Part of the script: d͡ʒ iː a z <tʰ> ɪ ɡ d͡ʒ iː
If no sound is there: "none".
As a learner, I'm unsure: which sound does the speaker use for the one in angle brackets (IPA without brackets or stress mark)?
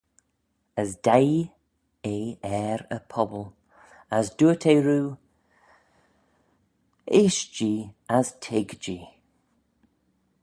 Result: tʰ